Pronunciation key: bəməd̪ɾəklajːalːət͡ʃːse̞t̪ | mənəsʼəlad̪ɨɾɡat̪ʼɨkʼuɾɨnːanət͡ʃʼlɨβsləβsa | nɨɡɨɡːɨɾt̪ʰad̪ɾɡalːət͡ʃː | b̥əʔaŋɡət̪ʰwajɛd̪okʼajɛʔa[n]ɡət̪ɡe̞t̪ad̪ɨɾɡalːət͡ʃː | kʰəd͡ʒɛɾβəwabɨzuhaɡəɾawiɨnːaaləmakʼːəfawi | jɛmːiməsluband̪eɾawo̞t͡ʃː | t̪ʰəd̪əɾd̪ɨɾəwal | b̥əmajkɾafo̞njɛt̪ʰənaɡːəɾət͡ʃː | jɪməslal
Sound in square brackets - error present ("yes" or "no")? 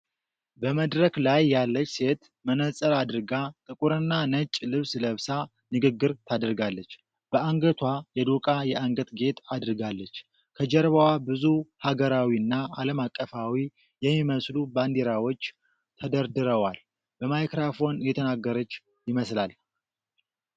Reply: yes